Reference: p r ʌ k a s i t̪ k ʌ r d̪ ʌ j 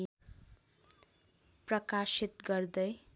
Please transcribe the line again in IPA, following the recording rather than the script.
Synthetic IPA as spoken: p r ʌ k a s i t̪ ɡ ʌ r d̪ ʌ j